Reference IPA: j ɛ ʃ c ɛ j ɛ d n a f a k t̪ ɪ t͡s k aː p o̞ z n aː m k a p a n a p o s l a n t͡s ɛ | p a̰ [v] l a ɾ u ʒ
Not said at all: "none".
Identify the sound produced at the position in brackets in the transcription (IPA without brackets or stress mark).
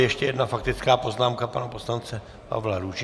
v